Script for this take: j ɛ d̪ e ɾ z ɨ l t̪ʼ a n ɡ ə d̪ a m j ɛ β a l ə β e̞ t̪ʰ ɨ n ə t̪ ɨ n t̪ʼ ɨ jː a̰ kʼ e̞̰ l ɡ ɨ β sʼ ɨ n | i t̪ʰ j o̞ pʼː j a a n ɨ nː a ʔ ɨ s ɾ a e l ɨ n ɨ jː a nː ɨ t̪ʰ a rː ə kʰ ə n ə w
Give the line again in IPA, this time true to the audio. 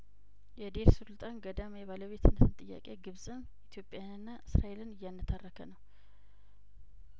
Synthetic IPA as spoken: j ɛ d̪ e ɾ s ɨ l t̪ʼ a n ɡ ə d̪ a m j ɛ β a l ə β e̞ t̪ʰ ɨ n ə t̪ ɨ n t̪ʼ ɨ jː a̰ kʼ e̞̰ ɡ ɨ β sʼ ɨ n | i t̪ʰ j o̞ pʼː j a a n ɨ nː a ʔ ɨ s ɾ a e l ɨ n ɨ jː a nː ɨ t̪ʰ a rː ə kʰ ə n ə w